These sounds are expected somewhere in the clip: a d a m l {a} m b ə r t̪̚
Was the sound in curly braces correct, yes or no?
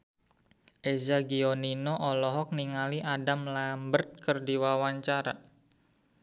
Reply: yes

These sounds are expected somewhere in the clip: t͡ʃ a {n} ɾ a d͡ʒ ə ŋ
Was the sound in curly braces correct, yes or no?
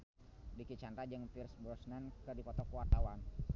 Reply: yes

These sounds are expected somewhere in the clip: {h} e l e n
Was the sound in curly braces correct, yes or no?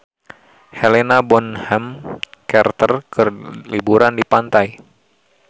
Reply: yes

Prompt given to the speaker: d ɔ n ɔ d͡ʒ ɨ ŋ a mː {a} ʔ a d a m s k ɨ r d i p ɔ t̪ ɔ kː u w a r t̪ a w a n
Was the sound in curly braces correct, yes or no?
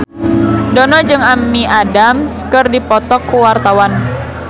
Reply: no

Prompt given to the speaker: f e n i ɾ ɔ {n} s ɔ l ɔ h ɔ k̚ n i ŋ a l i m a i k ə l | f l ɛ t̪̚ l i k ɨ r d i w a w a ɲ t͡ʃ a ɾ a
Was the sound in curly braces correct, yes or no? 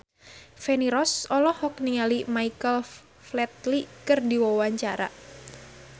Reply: no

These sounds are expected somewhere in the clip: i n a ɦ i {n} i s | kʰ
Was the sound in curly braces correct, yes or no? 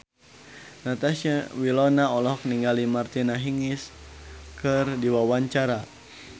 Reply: no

